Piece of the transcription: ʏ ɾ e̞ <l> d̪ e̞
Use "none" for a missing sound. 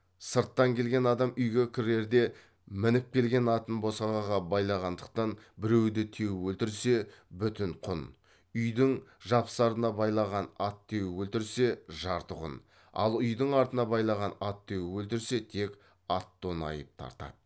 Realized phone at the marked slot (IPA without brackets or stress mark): ɾ